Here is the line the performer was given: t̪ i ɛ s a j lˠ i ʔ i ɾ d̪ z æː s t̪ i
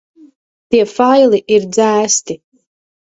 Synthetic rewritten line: t̪ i ɛ f a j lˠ i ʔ i ɾ d̪ z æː s t̪ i